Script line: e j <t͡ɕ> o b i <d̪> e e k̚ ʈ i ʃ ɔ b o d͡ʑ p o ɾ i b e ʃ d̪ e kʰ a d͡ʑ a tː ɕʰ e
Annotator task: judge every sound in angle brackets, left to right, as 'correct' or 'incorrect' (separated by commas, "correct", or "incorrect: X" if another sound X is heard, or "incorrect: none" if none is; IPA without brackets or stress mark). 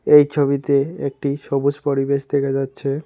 incorrect: t͡ɕʰ, incorrect: t̪